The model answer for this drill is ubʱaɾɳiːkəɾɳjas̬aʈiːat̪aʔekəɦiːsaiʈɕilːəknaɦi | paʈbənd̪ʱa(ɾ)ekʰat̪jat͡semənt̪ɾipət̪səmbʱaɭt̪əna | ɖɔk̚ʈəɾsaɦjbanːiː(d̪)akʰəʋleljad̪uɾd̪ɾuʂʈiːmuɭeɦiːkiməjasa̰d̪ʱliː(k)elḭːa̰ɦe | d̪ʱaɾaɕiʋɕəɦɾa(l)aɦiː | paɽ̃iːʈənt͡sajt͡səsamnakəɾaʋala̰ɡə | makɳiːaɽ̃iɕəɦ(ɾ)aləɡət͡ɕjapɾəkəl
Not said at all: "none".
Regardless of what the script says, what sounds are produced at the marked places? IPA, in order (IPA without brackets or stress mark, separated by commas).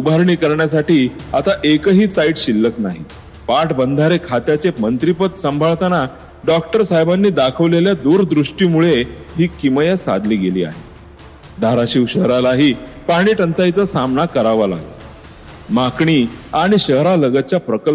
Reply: ɾ, d̪, ɡ, l, ɾ